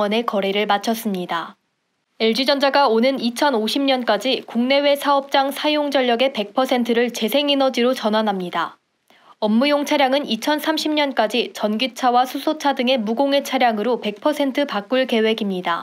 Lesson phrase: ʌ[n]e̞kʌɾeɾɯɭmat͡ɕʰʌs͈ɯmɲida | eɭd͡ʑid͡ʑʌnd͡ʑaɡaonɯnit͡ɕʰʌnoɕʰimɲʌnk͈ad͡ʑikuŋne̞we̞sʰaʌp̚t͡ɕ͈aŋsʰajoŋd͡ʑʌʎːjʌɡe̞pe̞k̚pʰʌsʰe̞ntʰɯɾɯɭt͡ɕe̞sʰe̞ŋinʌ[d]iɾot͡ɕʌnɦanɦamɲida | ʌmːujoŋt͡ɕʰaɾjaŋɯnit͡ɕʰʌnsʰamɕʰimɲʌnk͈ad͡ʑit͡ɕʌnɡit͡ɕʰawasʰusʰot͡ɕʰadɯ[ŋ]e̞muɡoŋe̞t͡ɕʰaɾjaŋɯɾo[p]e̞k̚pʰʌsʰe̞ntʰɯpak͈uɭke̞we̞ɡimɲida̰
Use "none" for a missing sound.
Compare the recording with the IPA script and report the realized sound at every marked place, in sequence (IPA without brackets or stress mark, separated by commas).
n, d͡ʑ, ŋ, p